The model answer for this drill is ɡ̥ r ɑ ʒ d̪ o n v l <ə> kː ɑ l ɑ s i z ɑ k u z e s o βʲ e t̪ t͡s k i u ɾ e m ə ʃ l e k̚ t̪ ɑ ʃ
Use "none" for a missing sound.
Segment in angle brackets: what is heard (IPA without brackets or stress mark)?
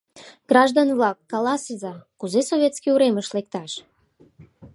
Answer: ɑ